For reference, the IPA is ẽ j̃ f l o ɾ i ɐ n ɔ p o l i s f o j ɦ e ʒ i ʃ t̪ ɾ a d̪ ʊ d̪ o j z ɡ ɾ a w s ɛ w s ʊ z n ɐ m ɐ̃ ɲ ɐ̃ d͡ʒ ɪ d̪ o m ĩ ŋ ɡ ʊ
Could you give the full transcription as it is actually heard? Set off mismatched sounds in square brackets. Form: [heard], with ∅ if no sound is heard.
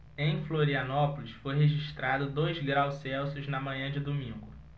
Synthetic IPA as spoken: ẽ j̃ f l o ɾ i ɐ n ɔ p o l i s f o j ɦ e ʒ i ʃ t̪ ɾ a d̪ ʊ d̪ o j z ɡ ɾ a w s ɛ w s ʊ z n ɐ m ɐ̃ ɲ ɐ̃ d͡ʒ ɪ d̪ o m ĩ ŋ ɡ ʊ